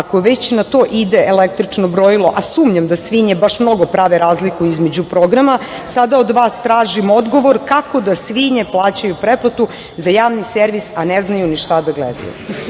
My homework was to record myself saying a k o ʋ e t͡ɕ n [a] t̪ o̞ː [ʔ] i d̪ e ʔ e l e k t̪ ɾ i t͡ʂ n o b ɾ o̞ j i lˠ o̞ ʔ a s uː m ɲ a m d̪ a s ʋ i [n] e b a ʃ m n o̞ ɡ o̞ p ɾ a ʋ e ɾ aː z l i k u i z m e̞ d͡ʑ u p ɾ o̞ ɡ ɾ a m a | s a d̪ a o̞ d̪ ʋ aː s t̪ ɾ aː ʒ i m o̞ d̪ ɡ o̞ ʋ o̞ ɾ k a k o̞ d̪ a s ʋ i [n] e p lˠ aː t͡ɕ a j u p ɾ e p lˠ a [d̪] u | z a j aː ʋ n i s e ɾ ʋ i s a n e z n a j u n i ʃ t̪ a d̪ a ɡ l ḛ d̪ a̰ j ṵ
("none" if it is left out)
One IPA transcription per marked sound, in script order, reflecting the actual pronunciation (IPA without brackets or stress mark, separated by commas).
a, ʔ, ɲ, ɲ, t̪